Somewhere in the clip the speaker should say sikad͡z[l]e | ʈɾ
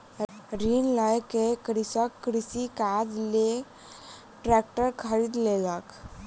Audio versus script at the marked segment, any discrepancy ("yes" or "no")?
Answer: no